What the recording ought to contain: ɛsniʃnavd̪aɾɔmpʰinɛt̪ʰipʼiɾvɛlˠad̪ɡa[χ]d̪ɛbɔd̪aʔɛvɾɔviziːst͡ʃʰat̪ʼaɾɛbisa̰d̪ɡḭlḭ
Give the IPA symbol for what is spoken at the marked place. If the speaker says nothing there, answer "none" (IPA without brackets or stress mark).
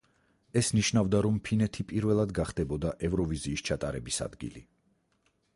χ